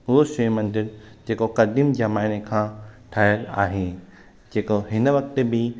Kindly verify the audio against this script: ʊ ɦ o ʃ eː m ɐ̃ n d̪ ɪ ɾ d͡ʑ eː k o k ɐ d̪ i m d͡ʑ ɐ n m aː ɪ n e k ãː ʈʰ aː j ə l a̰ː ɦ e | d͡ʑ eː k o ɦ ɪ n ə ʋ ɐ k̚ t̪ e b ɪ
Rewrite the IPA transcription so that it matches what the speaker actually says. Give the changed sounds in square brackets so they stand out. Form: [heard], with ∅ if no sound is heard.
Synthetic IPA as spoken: ʊ ɦ o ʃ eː m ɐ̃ n d̪ ɪ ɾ d͡ʑ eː k o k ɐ d̪ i m d͡ʑ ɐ [∅] m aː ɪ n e [kʰ] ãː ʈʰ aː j ə l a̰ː ɦ e | d͡ʑ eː k o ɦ ɪ n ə ʋ ɐ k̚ t̪ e b ɪ